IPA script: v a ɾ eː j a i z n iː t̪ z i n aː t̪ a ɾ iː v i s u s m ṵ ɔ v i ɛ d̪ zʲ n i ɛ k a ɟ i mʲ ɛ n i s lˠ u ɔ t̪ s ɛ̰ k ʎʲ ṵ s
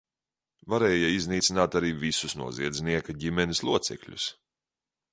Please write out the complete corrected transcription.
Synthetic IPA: v a ɾ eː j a i z n iː t̪ s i n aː t̪ a ɾ iː v i s u s n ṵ ɔ z i ɛ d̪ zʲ n i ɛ k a ɟ i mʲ ɛ n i s lˠ u ɔ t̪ s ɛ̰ k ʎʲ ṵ s